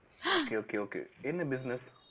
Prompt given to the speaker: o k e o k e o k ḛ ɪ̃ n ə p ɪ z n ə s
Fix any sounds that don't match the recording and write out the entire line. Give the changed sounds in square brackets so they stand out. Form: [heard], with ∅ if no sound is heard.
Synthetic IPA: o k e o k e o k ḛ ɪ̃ n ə [b] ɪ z n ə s